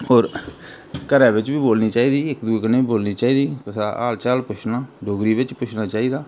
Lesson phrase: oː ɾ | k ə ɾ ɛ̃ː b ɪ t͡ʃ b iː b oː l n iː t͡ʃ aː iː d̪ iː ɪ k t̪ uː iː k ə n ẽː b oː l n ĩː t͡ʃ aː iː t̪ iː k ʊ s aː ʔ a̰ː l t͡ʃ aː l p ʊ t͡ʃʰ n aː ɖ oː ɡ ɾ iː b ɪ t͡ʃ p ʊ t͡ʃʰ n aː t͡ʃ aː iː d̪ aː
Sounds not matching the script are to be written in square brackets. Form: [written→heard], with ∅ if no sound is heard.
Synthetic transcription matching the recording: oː ɾ | k ə ɾ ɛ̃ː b ɪ t͡ʃ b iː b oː l n iː t͡ʃ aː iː d̪ iː ɪ k [t̪→d̪] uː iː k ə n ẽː b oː l n [ĩː→iː] t͡ʃ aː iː [t̪→d̪] iː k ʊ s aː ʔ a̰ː l t͡ʃ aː l p ʊ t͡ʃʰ n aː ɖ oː ɡ ɾ iː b ɪ t͡ʃ p ʊ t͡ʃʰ n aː t͡ʃ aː iː d̪ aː